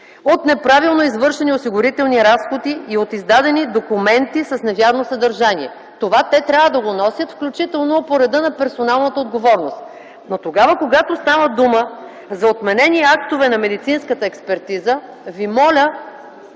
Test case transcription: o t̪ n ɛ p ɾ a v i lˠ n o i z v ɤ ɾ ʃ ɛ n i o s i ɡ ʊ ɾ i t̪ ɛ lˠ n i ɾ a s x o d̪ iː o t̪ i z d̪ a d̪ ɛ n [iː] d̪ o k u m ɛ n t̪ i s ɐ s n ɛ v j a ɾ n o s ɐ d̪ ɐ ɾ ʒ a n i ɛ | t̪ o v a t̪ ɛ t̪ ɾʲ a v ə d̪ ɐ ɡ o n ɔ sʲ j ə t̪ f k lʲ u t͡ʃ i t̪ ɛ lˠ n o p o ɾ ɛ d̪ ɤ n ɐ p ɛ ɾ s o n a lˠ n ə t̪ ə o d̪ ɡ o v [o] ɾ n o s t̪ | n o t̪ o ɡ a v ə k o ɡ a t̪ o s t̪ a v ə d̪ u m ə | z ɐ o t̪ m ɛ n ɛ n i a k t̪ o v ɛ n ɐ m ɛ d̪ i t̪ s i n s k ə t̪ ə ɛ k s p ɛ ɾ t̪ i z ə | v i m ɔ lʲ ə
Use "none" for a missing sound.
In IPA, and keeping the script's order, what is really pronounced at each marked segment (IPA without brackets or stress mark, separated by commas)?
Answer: i, ɔ